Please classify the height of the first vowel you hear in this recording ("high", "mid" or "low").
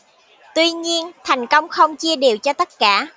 high